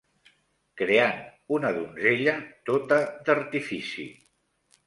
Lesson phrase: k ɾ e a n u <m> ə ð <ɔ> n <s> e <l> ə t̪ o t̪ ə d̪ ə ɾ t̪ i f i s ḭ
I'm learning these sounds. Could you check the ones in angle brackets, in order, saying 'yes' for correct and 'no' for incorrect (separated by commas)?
no, no, no, no